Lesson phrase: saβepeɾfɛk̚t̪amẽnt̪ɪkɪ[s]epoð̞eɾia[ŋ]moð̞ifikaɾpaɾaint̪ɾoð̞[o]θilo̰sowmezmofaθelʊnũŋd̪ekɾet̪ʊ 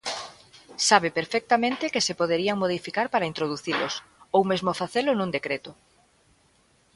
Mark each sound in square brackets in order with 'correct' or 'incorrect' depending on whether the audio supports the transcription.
correct, correct, incorrect: u

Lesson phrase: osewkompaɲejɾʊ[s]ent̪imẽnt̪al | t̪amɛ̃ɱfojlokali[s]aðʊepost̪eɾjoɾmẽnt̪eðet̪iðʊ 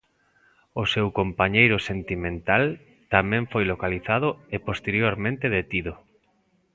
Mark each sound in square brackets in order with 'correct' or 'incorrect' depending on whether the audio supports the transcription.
correct, incorrect: θ

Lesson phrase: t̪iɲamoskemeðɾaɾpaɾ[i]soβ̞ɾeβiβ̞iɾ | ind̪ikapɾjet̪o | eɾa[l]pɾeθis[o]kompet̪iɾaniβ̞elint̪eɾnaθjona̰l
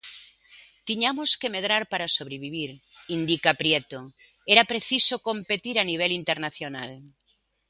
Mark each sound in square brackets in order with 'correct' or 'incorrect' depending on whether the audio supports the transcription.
incorrect: a, incorrect: none, correct

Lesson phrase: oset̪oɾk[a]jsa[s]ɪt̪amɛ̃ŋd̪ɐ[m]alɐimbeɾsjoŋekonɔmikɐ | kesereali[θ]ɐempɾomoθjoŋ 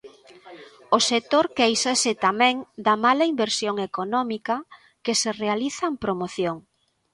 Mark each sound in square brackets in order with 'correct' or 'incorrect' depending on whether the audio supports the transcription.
incorrect: e, correct, correct, correct

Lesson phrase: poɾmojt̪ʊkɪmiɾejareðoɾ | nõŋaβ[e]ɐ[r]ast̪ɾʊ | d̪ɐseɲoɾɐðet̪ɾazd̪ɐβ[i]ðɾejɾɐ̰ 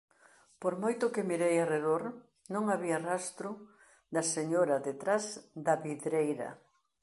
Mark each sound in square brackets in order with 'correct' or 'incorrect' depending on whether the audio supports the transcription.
incorrect: i, correct, correct

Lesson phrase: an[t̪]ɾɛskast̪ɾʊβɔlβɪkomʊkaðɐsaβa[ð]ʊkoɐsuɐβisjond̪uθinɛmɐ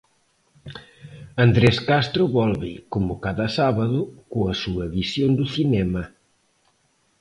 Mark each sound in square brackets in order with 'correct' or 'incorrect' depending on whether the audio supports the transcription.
incorrect: d̪, correct

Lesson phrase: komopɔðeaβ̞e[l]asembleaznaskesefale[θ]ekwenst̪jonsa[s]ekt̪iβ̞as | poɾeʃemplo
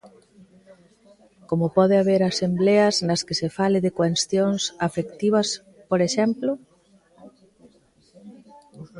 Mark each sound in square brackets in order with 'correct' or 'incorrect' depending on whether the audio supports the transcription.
incorrect: ɾ, incorrect: ð, incorrect: f

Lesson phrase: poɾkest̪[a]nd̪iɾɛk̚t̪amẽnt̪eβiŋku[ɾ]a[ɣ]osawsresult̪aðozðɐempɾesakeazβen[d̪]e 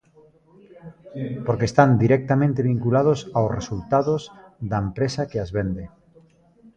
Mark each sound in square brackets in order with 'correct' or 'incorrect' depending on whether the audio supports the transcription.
correct, incorrect: l, incorrect: ð, correct

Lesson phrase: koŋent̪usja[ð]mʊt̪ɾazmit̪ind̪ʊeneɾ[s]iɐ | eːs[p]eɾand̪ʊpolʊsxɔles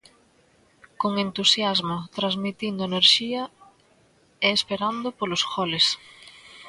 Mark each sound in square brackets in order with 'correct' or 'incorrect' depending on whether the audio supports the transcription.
incorrect: z, incorrect: ʃ, correct

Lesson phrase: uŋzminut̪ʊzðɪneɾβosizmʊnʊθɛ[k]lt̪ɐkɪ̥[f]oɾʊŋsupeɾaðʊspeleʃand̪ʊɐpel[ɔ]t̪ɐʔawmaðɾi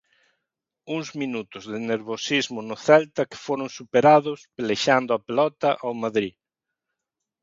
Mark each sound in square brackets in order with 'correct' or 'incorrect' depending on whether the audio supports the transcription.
incorrect: none, correct, correct

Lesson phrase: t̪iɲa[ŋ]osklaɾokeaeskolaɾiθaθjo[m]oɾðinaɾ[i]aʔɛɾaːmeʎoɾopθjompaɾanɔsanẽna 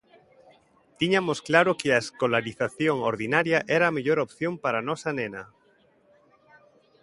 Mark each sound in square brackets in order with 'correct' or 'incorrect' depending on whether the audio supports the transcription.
incorrect: m, incorrect: ŋ, incorrect: j

